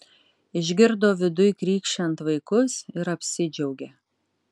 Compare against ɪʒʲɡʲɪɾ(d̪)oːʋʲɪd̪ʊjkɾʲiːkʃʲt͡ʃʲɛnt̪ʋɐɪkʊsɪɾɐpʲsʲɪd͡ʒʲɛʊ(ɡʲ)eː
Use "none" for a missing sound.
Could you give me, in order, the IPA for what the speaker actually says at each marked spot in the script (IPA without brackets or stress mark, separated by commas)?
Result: d̪, ɡʲ